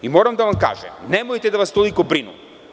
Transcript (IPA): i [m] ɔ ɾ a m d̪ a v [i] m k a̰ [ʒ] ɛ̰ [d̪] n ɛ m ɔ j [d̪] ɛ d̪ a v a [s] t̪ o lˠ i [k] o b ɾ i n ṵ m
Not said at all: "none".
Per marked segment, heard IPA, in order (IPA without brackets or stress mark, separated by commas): m, a, ʒ, none, t̪, s, k